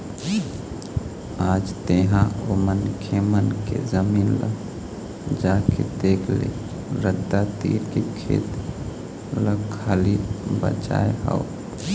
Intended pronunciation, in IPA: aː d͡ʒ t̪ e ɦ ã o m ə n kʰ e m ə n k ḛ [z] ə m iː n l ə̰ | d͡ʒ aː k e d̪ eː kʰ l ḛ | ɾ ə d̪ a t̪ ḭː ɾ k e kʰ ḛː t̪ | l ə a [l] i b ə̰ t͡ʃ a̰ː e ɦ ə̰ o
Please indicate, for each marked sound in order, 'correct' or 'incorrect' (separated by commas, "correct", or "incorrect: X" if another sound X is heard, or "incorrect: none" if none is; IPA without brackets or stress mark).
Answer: correct, correct